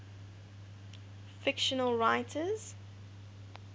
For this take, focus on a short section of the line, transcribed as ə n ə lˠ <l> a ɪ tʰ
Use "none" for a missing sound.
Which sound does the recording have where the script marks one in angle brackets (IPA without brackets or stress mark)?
ɹ